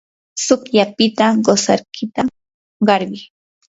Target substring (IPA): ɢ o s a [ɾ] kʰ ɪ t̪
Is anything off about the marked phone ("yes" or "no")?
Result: no